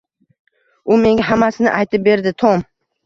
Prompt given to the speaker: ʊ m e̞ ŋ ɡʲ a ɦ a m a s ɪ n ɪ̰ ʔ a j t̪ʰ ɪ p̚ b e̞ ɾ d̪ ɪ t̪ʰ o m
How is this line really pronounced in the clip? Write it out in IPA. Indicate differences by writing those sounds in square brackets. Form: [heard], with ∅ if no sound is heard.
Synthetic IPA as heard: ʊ m e̞ ŋ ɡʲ a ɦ a m a s ɪ n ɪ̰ ʔ a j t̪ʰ ɪ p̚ b e̞ ɾ d̪ ɪ t̪ʰ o m

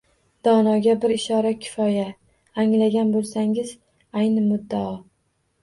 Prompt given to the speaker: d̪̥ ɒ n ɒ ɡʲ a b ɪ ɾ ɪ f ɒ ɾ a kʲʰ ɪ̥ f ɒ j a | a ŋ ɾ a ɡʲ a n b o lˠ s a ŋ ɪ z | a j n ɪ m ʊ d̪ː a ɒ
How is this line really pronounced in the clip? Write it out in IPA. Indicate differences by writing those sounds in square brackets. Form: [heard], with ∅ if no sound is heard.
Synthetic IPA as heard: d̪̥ ɒ n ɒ ɡʲ a b ɪ ɾ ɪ [ʃ] ɒ ɾ a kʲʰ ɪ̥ f ɒ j a | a ŋ [l] a ɡʲ a n b o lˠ s a ŋ ɪ z | a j n ɪ m ʊ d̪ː a ɒ

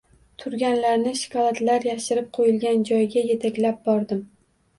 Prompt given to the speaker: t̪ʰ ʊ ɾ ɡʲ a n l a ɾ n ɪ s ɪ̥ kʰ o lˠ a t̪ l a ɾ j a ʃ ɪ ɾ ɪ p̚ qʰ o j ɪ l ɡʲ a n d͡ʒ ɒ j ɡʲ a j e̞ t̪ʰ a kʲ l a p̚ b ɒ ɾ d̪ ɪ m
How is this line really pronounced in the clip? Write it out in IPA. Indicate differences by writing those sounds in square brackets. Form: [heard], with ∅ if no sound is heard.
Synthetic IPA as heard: t̪ʰ ʊ ɾ ɡʲ a n l a ɾ n ɪ [ʃ] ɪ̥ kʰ [ɒ] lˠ a t̪ l a ɾ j a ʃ ɪ ɾ ɪ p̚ qʰ o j ɪ l ɡʲ a n d͡ʒ ɒ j ɡʲ a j e̞ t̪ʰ a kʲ l a p̚ b ɒ ɾ d̪ ɪ m

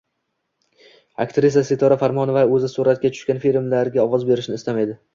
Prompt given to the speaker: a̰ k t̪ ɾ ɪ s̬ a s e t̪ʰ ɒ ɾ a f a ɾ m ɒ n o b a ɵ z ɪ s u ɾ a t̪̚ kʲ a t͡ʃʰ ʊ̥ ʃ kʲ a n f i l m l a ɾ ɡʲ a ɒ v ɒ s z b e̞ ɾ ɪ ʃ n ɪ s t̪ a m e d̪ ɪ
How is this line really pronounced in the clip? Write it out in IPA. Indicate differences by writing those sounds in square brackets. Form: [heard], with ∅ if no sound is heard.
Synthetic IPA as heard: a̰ k t̪ ɾ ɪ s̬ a s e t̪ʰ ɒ ɾ a f a ɾ m ɒ n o [v] a ɵ z ɪ s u ɾ a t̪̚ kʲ a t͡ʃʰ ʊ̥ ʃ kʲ a n f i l m l a ɾ ɡʲ a ɒ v ɒ [∅] z b e̞ ɾ ɪ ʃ n ɪ s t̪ a m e d̪ ɪ

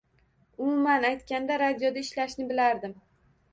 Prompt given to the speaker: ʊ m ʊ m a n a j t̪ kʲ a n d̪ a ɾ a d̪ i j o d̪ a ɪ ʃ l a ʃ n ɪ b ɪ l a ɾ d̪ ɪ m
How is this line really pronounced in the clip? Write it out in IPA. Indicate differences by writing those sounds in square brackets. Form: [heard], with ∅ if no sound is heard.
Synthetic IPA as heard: ʊ m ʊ m a n a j t̪ kʲ a n d̪ a ɾ a d̪ i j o d̪ a ɪ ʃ l a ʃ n ɪ b ɪ l a ɾ d̪ ɪ m

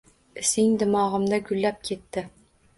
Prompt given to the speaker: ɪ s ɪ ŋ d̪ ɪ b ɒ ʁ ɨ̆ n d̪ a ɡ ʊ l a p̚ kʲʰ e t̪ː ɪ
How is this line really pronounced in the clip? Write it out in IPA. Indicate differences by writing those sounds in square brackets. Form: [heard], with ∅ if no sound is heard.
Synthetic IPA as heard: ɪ s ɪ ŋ d̪ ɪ [m] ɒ ʁ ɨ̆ [m] d̪ a ɡ ʊ [lː] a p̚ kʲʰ e t̪ː ɪ

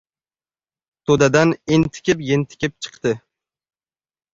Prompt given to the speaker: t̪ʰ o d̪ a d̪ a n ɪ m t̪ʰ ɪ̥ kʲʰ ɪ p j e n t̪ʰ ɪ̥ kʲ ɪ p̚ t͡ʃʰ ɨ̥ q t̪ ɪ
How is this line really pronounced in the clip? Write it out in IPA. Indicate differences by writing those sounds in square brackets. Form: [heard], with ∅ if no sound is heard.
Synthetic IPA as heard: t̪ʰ o d̪ a d̪ a n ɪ [n] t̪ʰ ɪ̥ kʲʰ ɪ p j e n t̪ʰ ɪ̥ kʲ ɪ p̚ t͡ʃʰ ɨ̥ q t̪ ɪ

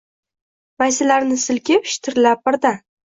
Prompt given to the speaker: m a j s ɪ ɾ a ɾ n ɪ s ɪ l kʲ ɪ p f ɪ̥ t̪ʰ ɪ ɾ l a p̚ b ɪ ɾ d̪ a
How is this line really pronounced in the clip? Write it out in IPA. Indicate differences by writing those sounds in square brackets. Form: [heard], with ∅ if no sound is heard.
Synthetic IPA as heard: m a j s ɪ [l] a ɾ n ɪ s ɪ l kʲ ɪ p [ʃ] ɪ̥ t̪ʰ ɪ ɾ l a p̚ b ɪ ɾ d̪ a

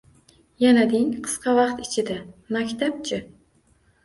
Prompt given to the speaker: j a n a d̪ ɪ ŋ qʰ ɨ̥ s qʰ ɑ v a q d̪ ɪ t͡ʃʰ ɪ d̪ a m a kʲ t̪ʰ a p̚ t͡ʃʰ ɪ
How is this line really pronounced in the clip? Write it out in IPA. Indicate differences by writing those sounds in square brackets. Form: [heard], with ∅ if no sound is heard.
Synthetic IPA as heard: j a n a d̪ ɪ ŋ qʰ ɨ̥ s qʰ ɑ v [ɑ] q [t̪] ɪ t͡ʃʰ ɪ d̪ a m a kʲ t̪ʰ a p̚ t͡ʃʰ ɪ

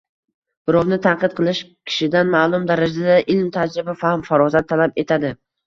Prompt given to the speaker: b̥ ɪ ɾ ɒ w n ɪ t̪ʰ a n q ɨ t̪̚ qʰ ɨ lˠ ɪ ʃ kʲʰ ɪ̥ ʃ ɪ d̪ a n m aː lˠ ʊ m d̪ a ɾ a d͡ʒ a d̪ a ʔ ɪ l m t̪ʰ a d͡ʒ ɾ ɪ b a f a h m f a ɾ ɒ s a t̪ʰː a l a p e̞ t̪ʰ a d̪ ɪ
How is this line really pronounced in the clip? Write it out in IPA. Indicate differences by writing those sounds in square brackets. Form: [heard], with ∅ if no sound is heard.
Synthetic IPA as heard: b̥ ɪ ɾ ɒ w n ɪ t̪ʰ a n q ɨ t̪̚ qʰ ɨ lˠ ɪ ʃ kʲʰ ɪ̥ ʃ ɪ d̪ a n m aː lˠ ʊ m d̪ a ɾ a d͡ʒ a d̪ a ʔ ɪ l m t̪ʰ a d͡ʒ ɾ ɪ b a f a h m f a ɾ ɒ [z] a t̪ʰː a l a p e̞ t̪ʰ a d̪ ɪ

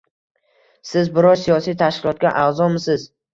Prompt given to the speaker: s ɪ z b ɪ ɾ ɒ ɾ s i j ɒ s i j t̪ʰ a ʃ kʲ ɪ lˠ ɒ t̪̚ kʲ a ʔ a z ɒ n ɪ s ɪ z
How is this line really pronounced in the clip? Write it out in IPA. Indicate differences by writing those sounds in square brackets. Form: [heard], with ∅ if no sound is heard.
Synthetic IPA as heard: s ɪ z b ɪ ɾ ɒ ɾ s i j ɒ s i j t̪ʰ a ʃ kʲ ɪ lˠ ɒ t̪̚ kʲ a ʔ a z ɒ [m] ɪ s ɪ z

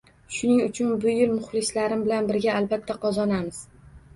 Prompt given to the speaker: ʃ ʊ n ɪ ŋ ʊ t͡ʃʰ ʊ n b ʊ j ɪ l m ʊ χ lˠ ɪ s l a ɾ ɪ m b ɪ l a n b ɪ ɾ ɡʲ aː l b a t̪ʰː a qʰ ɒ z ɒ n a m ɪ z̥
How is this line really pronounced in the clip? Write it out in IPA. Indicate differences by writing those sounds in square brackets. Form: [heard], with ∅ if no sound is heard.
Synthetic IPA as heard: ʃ ʊ n ɪ ŋ ʊ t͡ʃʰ ʊ n b ʊ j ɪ l m ʊ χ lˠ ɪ s l a ɾ ɪ m b ɪ l a n b ɪ ɾ ɡʲ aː l b a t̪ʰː a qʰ ɒ z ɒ n a m ɪ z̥

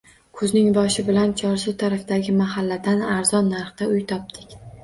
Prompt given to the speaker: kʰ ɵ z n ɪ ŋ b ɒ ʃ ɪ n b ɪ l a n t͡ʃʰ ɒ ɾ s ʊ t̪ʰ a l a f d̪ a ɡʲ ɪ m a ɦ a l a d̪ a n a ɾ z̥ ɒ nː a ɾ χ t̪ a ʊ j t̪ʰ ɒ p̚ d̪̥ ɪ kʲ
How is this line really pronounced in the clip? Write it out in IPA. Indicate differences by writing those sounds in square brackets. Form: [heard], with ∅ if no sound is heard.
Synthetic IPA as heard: kʰ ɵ z n ɪ ŋ b ɒ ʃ ɪ [∅] b ɪ l a n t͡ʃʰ ɒ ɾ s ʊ t̪ʰ a [ɾ] a f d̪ a ɡʲ ɪ m a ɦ a [lː] a d̪ a n a ɾ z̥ ɒ nː a ɾ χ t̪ a ʊ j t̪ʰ ɒ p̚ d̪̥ ɪ kʲ

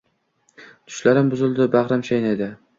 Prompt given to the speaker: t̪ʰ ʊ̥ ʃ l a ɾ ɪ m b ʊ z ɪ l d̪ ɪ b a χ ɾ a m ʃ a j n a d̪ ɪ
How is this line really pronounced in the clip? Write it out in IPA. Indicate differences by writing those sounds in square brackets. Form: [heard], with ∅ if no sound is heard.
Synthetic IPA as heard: t̪ʰ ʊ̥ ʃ l a ɾ ɪ m b ʊ z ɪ l d̪ ɪ b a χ ɾ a m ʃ a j n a d̪ ɪ

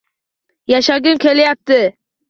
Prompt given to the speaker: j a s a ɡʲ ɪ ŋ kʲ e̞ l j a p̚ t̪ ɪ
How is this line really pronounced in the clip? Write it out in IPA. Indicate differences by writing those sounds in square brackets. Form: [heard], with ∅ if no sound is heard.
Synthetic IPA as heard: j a [ʃ] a ɡʲ ɪ [m] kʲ e̞ l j a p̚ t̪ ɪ

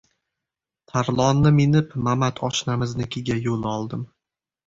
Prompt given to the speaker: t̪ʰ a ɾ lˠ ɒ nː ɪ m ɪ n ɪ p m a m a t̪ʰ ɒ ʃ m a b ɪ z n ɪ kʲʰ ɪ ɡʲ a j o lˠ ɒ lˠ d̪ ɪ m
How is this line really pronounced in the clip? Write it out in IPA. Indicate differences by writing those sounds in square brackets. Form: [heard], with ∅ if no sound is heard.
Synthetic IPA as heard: t̪ʰ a ɾ lˠ ɒ nː ɪ m ɪ n ɪ p m a m a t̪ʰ ɒ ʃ [n] a [m] ɪ z n ɪ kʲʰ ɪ ɡʲ a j o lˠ ɒ lˠ d̪ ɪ m

